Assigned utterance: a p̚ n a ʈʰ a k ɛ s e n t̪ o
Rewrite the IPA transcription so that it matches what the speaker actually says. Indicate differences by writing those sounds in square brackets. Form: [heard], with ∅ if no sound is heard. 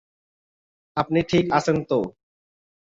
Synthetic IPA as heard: a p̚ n [i] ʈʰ [i] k [a] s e n t̪ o